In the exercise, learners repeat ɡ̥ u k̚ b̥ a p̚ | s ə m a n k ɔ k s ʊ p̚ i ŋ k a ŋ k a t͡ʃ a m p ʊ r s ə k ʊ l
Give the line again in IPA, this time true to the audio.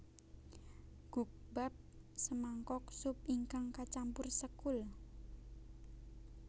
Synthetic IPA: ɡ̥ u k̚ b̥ a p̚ | s ə m a ŋ k ɔ k s ʊ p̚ i ŋ k a ŋ k a t͡ʃ a m p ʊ r s ə k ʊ l